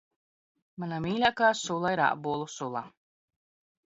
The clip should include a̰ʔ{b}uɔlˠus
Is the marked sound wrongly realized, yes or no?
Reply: no